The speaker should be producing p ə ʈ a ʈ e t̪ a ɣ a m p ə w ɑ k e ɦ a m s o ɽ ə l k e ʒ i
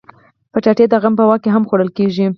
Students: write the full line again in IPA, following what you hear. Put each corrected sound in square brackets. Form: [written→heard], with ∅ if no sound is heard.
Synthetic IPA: p ə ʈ a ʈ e [t̪→d̪] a ɣ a m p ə w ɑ k e ɦ a m [s→x] o ɽ ə l k e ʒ i